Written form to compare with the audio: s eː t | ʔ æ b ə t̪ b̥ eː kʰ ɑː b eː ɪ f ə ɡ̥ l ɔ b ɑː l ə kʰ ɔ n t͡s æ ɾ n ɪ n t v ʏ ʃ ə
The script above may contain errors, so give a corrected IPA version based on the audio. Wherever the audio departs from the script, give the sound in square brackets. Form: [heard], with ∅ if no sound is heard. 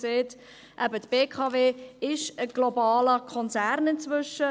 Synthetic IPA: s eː t | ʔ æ b ə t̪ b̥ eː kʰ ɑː [v] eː ɪ [ʃ] ə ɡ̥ l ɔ b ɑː l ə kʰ ɔ n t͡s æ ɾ n ɪ n [t͡s] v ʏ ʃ ə

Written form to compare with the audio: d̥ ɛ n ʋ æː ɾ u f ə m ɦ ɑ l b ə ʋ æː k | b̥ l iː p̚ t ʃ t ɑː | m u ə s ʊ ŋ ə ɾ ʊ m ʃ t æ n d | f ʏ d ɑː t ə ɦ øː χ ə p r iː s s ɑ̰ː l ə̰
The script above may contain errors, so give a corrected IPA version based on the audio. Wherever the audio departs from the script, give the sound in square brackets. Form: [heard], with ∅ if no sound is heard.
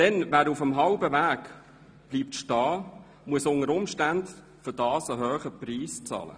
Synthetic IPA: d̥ ɛ n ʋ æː ɾ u f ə m ɦ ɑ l b ə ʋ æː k | b̥ l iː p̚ t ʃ t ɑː | m u ə s ʊ ŋ ə ɾ ʊ m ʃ t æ n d | f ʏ d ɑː [s] ə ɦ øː χ ə p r iː s [t͡s] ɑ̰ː l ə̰

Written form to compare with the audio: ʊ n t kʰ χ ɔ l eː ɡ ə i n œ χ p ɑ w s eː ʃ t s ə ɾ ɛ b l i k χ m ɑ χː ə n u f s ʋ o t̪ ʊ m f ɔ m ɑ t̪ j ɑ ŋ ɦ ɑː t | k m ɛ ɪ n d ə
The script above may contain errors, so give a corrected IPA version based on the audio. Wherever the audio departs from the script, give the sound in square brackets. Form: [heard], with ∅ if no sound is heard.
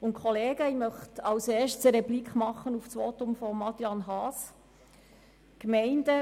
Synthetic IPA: ʊ n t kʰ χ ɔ l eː ɡ ə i [m] œ χ [t] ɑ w s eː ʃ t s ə ɾ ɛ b l i k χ m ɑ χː ə n u f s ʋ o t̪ ʊ m f ɔ m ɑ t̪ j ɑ [n] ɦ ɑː [s] | k m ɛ ɪ n d ə

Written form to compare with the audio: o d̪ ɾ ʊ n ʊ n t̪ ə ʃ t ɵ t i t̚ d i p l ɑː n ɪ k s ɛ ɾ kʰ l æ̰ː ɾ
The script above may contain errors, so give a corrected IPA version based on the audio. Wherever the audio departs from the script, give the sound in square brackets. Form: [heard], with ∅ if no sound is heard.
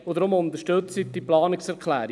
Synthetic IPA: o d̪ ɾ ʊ [m] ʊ n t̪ ə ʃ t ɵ [t͡s] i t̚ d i p l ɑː n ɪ k s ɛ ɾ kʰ l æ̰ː ɾ

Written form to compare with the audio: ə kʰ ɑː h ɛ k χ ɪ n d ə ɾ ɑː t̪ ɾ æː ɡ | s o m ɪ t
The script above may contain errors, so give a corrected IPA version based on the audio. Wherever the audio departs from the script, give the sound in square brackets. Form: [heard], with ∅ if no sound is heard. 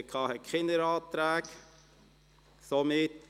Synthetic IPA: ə kʰ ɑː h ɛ k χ ɪ n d ə ɾ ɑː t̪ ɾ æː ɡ | s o m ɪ t

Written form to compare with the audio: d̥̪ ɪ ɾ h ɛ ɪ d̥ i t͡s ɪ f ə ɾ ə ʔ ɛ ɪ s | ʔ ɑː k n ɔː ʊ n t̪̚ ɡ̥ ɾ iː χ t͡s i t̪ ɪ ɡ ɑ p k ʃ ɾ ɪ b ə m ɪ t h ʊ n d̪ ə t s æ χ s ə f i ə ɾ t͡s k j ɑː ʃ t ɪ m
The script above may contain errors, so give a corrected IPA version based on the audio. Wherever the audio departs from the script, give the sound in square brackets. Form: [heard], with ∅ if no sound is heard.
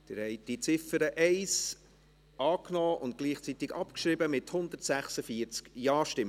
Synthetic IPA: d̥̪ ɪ ɾ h ɛ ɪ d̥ i t͡s ɪ f ə ɾ ə ʔ ɛ ɪ s | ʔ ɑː k n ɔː ʊ n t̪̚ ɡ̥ [l] iː χ t͡s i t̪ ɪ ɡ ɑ p k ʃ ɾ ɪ b ə m ɪ t h ʊ n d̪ ə t s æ χ s ə f i ə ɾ t͡s k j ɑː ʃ t ɪ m

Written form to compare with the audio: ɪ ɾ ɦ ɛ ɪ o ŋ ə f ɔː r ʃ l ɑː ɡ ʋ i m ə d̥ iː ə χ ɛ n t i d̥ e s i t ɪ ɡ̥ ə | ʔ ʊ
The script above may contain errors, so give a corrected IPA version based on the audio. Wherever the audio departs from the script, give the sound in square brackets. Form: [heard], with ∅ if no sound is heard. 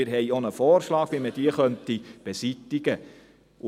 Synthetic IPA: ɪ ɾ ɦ ɛ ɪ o [n] ə f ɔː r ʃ l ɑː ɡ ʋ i m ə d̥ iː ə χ [œ] n t i [b̥] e s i t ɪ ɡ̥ ə | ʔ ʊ

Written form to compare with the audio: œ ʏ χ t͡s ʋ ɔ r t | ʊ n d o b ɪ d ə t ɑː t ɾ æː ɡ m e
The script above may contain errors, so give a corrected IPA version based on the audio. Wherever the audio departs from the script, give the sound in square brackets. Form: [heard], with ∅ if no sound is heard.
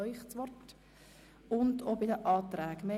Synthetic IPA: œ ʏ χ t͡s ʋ ɔ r t | ʊ n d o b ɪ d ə [ʔ] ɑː t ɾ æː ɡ m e

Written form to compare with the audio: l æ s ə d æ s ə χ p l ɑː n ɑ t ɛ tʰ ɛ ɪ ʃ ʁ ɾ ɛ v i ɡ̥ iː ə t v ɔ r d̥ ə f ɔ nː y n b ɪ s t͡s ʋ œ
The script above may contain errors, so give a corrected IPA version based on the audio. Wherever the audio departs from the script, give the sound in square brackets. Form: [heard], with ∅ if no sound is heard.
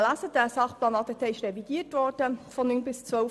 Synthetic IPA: l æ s ə d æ s [ɑ] χ p l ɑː n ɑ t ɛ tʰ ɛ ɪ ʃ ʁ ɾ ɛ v i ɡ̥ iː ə t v ɔ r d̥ ə f ɔ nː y n b ɪ s t͡s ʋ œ

